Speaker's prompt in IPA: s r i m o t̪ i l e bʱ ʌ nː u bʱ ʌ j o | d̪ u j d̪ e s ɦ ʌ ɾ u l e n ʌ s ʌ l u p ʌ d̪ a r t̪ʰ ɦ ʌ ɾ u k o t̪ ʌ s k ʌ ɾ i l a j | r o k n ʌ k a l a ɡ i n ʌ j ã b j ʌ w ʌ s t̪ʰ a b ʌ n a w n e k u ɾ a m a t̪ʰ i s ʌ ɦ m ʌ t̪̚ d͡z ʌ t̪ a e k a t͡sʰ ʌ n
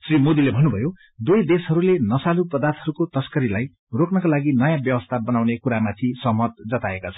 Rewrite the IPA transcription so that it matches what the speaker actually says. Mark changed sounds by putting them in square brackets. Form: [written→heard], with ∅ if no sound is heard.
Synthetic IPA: s r i m o [t̪→d̪] i l e bʱ ʌ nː u bʱ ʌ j o | d̪ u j d̪ e s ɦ ʌ ɾ u l e n ʌ s [ʌ→a] l u p ʌ d̪ a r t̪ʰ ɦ ʌ ɾ u k o t̪ ʌ s k ʌ ɾ i l a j | r o k n ʌ k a l a ɡ i n ʌ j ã b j ʌ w ʌ s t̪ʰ a b ʌ n a w n e k u ɾ a m a t̪ʰ i s ʌ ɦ m ʌ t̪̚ d͡z ʌ t̪ a e k a t͡sʰ ʌ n